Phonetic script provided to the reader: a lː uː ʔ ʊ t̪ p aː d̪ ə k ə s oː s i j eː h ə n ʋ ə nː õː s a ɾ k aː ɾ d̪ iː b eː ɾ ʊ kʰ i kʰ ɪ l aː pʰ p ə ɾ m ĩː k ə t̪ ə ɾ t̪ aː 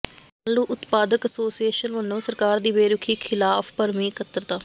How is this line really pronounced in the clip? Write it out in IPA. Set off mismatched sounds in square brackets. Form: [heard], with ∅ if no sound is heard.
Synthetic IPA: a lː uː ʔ ʊ t̪ p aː d̪ ə k ə s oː s i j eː [ʃ] ə n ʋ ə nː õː s [ə] ɾ k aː ɾ d̪ iː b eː ɾ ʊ kʰ [iː] kʰ ɪ l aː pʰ p ə ɾ m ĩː k ə t̪ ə ɾ t̪ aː